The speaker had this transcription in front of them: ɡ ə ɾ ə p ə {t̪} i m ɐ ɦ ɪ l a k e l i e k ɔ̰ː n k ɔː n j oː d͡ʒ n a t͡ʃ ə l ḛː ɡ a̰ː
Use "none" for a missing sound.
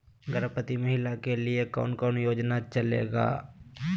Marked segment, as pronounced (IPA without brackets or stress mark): t̪